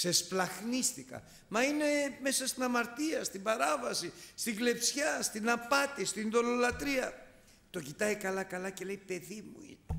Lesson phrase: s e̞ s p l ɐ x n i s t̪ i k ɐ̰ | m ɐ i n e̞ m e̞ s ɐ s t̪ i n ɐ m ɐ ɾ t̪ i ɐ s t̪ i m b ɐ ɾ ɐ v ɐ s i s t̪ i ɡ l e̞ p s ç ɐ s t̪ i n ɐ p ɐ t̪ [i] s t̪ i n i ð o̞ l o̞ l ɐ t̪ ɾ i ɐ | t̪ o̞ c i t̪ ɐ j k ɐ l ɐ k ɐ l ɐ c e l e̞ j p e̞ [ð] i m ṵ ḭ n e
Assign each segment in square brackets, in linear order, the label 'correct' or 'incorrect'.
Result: correct, correct

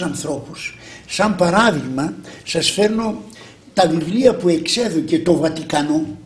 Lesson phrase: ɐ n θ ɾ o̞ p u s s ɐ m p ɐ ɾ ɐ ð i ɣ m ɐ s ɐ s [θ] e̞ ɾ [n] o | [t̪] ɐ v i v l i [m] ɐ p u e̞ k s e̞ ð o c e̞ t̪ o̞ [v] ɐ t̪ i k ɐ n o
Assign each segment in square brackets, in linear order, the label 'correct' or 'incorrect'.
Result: incorrect: f, correct, correct, incorrect: none, correct

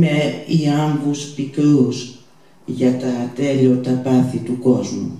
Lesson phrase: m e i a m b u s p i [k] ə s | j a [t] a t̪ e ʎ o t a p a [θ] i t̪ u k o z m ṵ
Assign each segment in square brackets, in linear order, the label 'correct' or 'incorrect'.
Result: correct, correct, correct

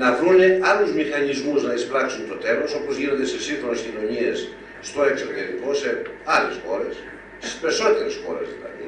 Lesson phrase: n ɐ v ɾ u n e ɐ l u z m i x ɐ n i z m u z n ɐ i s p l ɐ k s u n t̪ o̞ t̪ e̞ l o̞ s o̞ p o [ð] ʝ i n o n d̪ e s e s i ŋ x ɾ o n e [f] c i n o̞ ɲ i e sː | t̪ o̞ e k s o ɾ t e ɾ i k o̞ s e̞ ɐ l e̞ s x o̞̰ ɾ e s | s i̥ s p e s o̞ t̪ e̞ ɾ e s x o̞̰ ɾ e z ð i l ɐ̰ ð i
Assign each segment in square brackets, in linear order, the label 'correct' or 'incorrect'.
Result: incorrect: z, incorrect: s

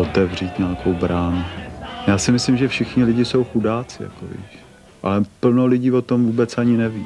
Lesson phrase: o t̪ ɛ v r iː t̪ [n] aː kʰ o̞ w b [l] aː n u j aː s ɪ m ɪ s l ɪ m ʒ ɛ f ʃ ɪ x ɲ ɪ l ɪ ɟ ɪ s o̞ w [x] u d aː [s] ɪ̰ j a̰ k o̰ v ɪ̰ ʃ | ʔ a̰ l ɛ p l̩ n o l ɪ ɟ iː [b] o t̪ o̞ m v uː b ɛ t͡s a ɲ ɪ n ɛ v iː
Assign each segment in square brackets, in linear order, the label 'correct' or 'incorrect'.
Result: incorrect: ɲ, incorrect: ɾ, correct, incorrect: t͡s, incorrect: v

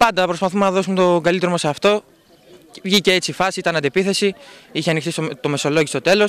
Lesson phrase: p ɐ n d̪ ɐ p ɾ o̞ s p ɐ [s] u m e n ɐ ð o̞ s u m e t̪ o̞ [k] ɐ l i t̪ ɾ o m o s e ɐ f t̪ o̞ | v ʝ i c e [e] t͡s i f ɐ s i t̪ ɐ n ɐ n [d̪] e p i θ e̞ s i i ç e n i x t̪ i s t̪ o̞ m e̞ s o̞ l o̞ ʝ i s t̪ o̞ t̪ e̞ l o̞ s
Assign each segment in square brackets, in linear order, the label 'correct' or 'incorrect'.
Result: incorrect: θ, incorrect: ɡ, correct, correct

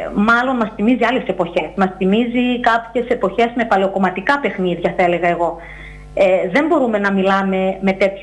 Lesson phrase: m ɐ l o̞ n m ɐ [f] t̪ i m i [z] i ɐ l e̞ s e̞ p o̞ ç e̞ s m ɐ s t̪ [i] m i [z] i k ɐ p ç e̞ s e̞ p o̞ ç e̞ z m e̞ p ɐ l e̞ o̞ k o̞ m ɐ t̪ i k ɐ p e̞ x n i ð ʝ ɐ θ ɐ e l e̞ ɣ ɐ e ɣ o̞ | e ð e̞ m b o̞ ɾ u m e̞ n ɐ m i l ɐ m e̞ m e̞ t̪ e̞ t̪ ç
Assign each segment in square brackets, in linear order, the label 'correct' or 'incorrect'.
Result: incorrect: s, correct, correct, correct

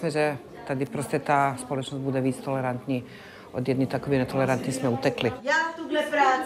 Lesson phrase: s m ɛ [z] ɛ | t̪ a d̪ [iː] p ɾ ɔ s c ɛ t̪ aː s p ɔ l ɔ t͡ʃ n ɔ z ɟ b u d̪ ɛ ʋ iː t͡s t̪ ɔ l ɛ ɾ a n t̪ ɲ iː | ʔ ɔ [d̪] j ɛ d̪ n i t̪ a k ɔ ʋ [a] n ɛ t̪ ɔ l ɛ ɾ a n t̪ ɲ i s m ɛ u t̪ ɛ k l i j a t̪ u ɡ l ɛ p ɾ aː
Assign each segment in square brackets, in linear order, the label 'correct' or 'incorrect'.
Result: incorrect: ʒ, incorrect: i, correct, incorrect: i

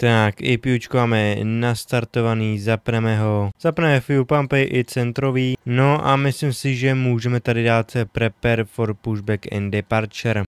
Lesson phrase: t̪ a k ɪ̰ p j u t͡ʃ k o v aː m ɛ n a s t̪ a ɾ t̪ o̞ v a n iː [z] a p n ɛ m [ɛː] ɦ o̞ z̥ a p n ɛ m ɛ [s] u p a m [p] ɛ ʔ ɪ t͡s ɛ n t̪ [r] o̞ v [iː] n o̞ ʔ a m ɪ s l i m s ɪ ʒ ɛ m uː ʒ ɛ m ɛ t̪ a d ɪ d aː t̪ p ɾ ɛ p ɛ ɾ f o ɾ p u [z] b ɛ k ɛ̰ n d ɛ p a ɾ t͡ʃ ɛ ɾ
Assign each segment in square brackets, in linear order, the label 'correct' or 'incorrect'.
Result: correct, incorrect: ɛ, incorrect: f, correct, incorrect: ɾ, correct, incorrect: ʒ

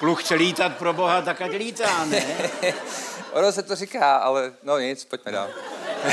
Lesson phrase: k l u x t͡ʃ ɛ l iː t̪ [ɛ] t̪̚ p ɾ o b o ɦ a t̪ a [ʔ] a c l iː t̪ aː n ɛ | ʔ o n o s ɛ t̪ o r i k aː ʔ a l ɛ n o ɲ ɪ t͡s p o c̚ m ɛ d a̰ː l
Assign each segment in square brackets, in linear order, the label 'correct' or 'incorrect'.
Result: incorrect: a, incorrect: k

